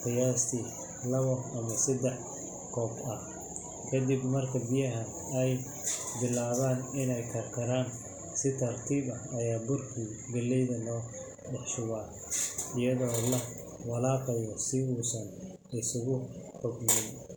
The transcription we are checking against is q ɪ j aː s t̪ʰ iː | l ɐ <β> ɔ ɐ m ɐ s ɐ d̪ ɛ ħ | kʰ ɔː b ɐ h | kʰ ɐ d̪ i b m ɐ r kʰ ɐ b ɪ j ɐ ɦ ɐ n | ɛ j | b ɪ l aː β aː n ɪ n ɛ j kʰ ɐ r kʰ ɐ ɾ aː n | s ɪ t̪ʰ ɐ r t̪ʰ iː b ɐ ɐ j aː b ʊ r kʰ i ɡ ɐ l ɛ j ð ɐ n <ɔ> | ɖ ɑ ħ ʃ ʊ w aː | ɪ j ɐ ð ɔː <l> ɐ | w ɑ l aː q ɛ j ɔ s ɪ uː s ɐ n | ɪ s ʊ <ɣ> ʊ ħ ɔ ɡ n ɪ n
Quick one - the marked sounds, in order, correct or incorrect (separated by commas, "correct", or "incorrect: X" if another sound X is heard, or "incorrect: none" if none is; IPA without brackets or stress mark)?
correct, incorrect: ɔː, correct, correct